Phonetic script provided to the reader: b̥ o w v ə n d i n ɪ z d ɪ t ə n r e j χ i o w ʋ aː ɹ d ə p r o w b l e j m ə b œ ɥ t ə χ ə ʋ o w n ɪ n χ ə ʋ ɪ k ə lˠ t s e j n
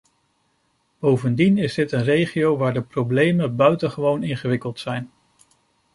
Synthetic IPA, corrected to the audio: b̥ o w v ə n d i n ɪ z d ɪ t ə n r e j χ i o w ʋ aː ɹ d ə p r o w b l e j m ə b œ ɥ t ə χ ə ʋ o w n ɪ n χ ə ʋ ɪ k ə lˠ t s ɛ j n